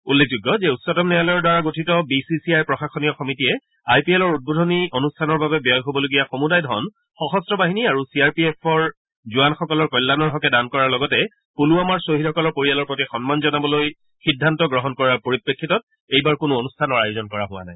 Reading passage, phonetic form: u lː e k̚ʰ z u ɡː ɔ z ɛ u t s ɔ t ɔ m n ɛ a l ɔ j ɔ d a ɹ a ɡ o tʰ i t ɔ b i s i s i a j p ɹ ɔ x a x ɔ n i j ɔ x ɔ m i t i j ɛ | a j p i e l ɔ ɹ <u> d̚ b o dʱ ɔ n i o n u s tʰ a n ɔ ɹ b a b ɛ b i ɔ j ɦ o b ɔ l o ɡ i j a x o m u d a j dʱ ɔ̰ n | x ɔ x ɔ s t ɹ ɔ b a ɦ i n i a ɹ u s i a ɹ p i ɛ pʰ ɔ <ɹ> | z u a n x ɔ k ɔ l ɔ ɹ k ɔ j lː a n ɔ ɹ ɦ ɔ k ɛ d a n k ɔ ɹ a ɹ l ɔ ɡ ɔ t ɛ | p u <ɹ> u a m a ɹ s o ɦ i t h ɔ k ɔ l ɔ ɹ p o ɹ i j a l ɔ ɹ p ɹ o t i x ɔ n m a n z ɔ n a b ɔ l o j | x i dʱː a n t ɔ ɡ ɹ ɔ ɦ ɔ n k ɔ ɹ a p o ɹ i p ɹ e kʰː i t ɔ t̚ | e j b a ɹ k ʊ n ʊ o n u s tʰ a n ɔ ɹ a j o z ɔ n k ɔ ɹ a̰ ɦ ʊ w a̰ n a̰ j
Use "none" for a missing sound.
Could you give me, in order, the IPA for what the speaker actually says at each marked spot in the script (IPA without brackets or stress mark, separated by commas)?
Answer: u, ɹ, l